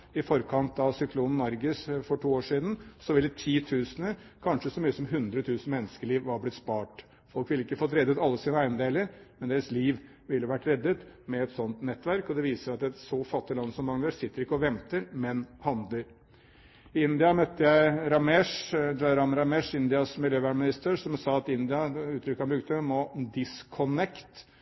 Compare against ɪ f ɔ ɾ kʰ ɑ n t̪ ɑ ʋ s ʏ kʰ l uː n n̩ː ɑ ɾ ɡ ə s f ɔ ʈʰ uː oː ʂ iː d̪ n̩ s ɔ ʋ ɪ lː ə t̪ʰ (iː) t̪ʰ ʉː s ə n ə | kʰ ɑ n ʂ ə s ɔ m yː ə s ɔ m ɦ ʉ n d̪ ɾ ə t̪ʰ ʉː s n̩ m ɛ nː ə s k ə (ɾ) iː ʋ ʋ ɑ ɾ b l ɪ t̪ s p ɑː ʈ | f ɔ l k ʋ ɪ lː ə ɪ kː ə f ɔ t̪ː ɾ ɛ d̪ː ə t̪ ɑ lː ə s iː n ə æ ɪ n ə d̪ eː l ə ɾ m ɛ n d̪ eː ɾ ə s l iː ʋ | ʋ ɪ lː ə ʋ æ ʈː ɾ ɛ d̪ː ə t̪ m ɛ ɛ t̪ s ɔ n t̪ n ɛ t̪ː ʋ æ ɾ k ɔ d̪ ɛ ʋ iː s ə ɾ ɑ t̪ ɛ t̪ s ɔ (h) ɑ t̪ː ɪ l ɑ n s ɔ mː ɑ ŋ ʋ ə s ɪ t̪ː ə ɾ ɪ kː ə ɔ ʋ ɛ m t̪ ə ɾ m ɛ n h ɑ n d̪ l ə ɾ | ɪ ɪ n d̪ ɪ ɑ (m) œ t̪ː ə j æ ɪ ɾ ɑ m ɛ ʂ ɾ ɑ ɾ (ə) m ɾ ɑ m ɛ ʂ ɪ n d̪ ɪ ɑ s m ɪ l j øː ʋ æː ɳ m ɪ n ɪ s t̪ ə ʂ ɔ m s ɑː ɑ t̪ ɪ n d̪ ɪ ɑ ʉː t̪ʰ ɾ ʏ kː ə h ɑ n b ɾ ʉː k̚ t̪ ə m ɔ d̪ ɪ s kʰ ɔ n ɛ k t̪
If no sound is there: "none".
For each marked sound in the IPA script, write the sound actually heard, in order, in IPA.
iː, ɭ, f, m, ɑ

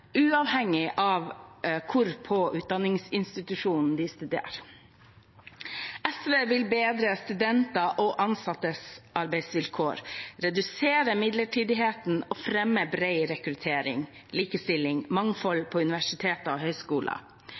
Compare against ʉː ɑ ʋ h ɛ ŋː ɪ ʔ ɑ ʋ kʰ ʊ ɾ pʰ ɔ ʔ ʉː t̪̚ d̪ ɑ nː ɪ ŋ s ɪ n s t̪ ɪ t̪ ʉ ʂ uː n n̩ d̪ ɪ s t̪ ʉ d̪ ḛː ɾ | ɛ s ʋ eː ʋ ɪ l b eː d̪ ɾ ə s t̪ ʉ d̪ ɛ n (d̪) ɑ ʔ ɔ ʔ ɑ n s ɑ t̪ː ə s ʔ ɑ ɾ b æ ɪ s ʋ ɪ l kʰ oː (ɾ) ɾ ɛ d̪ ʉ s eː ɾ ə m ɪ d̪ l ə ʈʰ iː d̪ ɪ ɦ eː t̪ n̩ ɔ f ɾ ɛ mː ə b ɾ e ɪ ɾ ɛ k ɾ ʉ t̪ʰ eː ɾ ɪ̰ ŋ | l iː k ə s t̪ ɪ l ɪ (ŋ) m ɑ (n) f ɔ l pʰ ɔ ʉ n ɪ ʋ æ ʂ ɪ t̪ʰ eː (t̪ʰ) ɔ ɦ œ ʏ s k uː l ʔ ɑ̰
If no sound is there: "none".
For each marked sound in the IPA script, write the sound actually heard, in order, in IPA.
t̪, ɾ, ŋ, ŋ, t̪

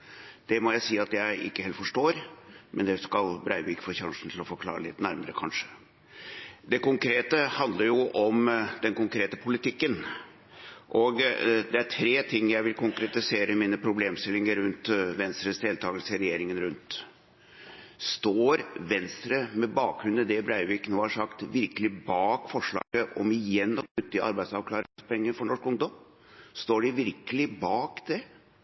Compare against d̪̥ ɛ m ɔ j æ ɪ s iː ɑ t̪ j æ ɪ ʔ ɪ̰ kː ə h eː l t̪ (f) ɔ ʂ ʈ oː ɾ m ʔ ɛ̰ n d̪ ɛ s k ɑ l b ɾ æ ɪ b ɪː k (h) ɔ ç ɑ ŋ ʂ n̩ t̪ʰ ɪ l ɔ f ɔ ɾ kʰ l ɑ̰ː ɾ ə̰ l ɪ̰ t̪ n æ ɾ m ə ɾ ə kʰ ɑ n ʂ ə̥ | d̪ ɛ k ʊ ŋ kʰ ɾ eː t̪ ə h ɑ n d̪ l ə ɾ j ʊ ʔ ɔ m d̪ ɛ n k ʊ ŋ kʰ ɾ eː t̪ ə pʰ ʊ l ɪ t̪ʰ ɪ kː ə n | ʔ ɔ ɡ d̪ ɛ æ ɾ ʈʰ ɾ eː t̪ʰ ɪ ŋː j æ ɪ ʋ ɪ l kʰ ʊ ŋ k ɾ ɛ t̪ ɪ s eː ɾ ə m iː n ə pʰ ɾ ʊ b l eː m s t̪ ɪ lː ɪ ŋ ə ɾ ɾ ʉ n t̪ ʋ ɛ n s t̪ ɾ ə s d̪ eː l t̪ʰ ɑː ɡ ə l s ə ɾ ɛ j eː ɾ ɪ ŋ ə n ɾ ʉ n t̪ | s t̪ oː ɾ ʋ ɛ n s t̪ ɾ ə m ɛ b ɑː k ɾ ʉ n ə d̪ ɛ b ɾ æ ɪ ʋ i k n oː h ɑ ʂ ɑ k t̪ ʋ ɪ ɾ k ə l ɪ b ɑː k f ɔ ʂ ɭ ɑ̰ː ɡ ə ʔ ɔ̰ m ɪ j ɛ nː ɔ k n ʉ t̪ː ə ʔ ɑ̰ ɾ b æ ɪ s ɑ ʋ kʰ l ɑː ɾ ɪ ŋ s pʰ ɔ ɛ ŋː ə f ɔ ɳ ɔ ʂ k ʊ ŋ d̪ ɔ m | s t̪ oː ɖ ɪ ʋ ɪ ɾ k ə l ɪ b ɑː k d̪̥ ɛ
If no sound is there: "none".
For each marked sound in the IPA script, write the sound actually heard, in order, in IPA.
f, f

